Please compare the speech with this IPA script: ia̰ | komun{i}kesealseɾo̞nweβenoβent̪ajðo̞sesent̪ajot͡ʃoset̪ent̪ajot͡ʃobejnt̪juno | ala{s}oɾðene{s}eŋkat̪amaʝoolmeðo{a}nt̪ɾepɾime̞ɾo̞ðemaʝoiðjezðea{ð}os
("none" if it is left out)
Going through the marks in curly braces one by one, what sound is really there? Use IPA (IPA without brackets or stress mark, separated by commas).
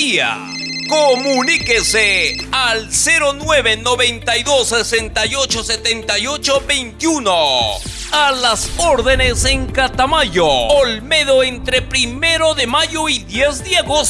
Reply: i, s, s, e, ɣ